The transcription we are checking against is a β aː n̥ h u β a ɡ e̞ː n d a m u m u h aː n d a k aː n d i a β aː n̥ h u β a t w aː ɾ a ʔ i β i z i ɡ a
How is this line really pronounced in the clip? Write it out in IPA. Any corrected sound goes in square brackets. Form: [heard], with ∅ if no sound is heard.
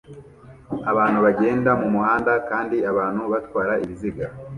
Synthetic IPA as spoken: a β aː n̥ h u β a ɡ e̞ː n d a m u m u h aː n d a k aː n d i a β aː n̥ h u β a t w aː ɾ a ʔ i β i z i ɡ a

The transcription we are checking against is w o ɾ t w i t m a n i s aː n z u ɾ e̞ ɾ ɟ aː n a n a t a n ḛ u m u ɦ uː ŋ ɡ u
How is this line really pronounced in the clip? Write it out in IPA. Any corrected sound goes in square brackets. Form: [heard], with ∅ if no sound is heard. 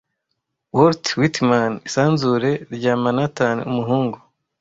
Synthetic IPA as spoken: w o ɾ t w i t m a n i s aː n z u ɾ e̞ ɾ ɟ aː [m] a n a t a n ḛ u m u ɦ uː ŋ ɡ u

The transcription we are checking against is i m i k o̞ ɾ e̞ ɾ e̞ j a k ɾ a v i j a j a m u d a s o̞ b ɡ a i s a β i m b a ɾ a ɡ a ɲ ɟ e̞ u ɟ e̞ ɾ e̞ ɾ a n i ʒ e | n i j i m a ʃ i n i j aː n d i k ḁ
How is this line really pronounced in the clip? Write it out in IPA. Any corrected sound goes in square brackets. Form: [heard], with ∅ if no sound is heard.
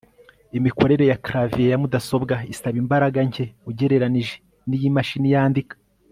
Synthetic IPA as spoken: i m i k o̞ ɾ e̞ ɾ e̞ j a k ɾ a v i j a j a m u d a s o̞ b ɡ a i s a β i m b a ɾ a ɡ a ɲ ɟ e̞ u ɟ e̞ ɾ e̞ ɾ a n i ʒ e | n i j i m a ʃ i n i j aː n d i k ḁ

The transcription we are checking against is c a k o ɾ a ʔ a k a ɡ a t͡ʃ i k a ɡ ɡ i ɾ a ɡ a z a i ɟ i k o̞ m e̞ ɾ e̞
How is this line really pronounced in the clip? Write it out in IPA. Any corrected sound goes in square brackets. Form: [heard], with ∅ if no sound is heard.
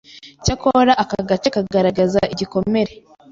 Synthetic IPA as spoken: c a k o ɾ a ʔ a k a ɡ a t͡ʃ [a] k a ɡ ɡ [a] ɾ a ɡ a z a i ɟ i k o̞ m e̞ ɾ e̞

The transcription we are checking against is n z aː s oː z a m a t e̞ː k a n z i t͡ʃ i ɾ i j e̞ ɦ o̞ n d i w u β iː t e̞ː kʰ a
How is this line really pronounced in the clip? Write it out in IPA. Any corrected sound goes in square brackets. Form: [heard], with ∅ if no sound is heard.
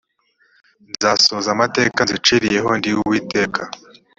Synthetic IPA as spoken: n z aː s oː z a m a t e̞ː k a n z i t͡ʃ i ɾ i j e̞ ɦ o̞ n d i w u [w] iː t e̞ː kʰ a

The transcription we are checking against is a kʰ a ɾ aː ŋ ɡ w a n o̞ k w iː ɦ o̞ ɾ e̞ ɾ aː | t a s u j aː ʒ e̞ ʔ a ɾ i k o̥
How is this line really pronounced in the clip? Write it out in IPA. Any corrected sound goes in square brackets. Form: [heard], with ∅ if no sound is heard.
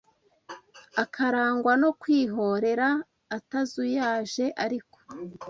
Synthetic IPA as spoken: a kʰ a ɾ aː ŋ ɡ w a n o̞ k w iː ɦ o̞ ɾ e̞ ɾ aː | t a [z] u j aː ʒ e̞ ʔ a ɾ i k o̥

